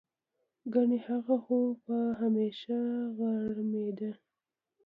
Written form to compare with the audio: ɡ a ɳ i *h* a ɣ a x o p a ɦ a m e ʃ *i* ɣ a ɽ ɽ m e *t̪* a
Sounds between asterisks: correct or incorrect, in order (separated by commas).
correct, incorrect, incorrect